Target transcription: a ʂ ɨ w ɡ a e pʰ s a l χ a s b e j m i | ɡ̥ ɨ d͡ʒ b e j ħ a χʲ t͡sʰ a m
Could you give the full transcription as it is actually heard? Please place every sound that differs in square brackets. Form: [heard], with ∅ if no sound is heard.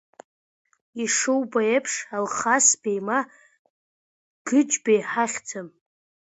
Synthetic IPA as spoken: [i] ʂ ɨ w [b] a e pʰ [ʂ] a l χ a s b e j m [a] | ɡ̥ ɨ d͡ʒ b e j ħ a χʲ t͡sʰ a m